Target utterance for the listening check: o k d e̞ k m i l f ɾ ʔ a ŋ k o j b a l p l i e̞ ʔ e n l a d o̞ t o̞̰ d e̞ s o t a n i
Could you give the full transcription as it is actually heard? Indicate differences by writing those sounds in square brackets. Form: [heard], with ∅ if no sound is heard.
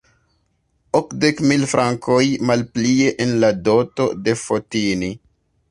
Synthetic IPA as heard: o k d e̞ k m i l f ɾ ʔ a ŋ k o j [m] a l p l i e̞ ʔ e n l a d o̞ t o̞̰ d e̞ [f] o t [i] n i